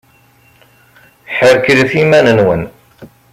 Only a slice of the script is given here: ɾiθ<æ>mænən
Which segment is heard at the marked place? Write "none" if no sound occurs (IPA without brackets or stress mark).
i